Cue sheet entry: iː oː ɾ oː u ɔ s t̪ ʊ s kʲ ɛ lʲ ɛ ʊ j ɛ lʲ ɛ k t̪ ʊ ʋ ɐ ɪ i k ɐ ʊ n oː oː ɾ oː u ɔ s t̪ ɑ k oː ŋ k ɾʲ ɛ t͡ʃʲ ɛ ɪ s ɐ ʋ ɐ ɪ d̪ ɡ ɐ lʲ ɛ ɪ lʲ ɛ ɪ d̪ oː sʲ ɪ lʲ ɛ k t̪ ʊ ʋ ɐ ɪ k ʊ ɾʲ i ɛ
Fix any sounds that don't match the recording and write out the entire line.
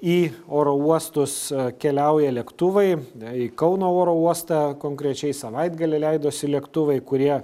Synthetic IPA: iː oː ɾ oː u ɔ s t̪ ʊ s kʲ ɛ lʲ ɛ ʊ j ɛ lʲ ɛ k t̪ ʊ ʋ ɐ ɪ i k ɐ ʊ n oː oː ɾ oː u ɔ s t̪ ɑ k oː ŋ k ɾʲ ɛ t͡ʃʲ ɛ ɪ s ɐ ʋ ɐ ɪ d̪ ɡ ɐ lʲ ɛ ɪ lʲ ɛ ɪ d̪ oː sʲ ɪ lʲ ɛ k t̪ ʊ ʋ ɐ ɪ k ʊ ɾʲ i ɛ